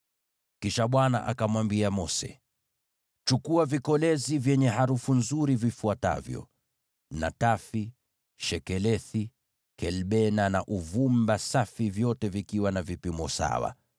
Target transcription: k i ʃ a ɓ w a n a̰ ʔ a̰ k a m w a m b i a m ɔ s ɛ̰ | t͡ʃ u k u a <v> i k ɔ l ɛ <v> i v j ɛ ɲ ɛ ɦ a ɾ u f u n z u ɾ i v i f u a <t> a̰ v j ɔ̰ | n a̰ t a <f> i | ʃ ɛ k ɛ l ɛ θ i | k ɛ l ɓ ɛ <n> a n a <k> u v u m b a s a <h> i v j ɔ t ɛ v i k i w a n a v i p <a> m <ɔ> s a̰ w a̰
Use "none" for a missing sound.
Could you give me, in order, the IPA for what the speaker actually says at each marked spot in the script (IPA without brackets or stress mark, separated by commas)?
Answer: v, z, t, f, n, ʔ, f, i, ɔ